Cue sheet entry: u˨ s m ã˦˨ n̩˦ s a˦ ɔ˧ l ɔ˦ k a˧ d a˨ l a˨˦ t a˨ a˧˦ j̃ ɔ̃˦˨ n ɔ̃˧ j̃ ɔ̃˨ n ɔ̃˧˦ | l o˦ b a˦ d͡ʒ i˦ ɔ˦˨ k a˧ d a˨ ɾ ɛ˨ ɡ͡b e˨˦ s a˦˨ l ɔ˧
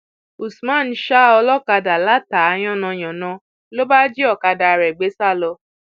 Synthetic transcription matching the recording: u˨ s m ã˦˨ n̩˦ ʃ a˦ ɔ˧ l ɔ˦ k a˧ d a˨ l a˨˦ t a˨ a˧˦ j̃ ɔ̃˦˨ n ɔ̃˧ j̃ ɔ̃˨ n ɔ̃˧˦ | l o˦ b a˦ d͡ʒ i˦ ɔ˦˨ k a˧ d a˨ ɾ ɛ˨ ɡ͡b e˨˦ s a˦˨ l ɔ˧